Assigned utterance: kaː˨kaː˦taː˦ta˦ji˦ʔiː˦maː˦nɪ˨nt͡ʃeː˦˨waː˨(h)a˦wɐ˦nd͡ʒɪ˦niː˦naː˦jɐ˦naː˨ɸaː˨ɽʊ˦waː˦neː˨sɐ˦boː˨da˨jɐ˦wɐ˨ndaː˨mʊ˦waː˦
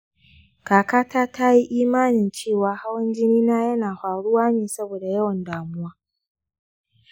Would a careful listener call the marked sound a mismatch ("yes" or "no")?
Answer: no